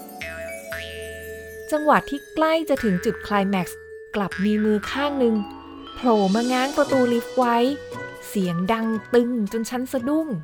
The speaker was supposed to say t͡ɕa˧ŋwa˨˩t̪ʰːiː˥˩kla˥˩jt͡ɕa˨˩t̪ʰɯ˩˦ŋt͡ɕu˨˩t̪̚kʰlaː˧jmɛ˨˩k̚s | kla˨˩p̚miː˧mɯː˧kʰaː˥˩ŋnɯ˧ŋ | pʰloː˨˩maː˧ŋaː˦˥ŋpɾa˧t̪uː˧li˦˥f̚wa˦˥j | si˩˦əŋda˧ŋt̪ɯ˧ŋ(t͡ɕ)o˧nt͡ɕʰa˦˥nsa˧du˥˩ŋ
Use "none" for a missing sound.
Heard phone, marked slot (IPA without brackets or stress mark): t͡ɕ